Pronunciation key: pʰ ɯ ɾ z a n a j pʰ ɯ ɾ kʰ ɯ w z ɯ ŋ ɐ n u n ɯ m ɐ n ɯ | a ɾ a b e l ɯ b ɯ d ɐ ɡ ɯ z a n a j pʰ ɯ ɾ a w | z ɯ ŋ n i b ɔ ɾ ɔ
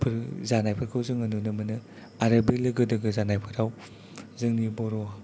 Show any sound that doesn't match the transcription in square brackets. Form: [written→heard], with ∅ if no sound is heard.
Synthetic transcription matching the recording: pʰ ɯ ɾ z a n a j pʰ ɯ ɾ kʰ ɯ w z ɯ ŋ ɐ n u n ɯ m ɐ n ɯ | a ɾ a b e l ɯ [b→ɡ] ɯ d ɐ ɡ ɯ z a n a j pʰ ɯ ɾ a w | z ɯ ŋ n i b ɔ ɾ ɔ